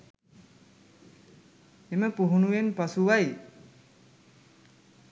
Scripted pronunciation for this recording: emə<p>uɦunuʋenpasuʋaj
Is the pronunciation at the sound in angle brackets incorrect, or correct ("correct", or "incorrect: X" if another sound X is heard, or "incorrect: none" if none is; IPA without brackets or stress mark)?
correct